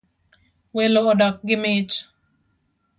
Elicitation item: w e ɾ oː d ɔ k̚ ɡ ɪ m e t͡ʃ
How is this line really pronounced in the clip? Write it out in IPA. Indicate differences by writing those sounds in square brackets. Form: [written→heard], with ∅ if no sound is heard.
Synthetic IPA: w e [ɾ→l] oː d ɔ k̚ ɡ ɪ m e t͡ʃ